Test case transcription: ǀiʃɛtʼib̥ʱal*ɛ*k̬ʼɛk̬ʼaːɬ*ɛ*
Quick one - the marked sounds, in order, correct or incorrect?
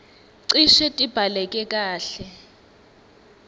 correct, correct

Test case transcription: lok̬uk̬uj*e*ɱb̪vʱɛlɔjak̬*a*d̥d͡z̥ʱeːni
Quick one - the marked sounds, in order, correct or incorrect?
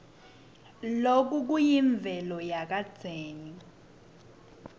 incorrect: i, correct

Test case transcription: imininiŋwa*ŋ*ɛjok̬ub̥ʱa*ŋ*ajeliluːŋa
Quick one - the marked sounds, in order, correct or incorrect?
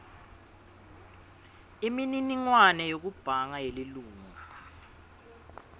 incorrect: n, correct

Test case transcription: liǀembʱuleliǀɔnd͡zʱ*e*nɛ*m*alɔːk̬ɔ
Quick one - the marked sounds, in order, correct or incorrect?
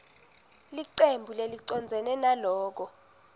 incorrect: ɛ, incorrect: n

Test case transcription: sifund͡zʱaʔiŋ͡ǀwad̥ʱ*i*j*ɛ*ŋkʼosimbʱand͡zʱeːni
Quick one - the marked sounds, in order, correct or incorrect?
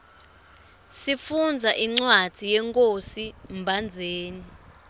correct, correct

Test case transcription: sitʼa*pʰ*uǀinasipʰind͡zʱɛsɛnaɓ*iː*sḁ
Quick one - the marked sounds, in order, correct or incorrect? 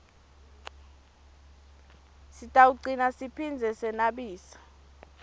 incorrect: none, correct

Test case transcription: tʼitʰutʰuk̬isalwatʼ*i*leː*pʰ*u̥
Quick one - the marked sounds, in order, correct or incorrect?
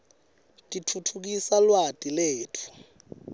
correct, incorrect: tʰ

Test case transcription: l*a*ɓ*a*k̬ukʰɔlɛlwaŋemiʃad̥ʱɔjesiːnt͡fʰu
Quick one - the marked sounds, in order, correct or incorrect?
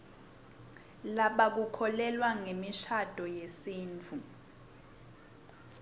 correct, correct

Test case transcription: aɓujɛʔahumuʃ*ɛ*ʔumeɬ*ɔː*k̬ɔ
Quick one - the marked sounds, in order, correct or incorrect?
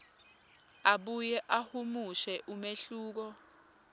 correct, incorrect: uː

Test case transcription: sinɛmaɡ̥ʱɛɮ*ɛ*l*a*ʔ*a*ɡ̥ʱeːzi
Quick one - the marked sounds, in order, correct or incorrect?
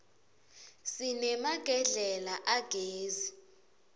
correct, correct, correct

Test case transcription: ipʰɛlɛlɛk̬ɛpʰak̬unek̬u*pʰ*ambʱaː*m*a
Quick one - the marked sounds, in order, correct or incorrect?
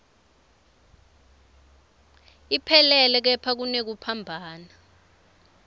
correct, incorrect: n

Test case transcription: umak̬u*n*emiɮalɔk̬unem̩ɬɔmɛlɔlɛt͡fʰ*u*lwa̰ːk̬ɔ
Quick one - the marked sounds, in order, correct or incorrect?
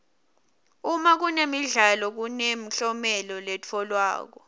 correct, incorrect: ɔ

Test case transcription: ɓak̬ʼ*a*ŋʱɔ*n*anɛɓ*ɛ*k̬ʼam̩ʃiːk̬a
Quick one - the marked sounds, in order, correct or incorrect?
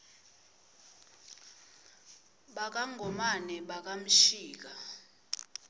correct, incorrect: m, incorrect: a

